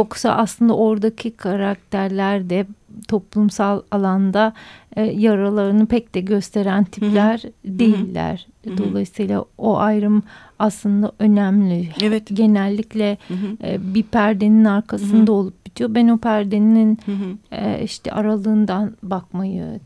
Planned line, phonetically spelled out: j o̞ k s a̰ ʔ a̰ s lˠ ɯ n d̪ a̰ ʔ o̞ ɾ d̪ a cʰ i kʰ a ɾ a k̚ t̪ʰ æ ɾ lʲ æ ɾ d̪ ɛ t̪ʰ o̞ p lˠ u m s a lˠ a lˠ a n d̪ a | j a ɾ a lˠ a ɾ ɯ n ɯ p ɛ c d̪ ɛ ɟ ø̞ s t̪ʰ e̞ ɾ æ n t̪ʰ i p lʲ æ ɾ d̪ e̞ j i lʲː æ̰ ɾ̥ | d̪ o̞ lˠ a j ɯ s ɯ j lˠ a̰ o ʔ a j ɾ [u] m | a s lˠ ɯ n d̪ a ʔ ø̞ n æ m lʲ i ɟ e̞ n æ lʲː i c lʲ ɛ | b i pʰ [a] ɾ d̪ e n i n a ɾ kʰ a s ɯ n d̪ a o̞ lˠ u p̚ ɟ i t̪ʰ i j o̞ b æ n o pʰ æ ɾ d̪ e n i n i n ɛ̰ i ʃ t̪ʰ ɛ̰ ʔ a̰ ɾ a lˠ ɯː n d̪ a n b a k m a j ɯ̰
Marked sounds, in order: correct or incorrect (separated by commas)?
incorrect, incorrect